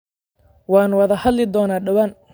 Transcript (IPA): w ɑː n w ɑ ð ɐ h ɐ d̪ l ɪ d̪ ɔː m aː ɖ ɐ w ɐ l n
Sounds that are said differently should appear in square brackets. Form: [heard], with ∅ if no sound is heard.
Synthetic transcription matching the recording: w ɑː n w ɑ ð ɐ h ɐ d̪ l ɪ d̪ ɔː [n] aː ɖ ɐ w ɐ [∅] n